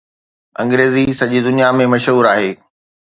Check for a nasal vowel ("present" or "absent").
present